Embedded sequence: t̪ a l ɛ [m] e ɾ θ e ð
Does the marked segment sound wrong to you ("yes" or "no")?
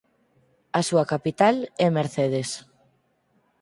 no